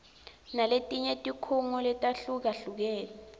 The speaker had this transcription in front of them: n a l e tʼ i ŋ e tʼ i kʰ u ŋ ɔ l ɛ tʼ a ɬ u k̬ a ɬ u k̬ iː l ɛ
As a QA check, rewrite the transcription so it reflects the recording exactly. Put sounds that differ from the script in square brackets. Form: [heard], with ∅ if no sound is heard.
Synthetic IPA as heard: n a l e tʼ i [ɲ] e tʼ i kʰ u ŋ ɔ l ɛ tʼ a ɬ u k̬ a ɬ u k̬ [ɛː] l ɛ